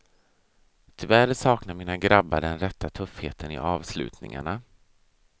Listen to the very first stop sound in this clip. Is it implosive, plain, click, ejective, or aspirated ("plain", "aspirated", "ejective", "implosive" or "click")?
aspirated